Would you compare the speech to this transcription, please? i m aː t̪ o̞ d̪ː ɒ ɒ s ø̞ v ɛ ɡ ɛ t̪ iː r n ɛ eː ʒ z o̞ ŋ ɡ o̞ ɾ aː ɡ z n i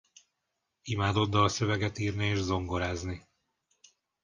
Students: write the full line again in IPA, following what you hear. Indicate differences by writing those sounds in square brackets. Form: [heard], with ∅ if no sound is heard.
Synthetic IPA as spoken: i m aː [d̪] o̞ d̪ː ɒ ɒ s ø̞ v ɛ ɡ ɛ t̪ iː r n [i] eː ʒ z o̞ ŋ ɡ o̞ ɾ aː [∅] z n i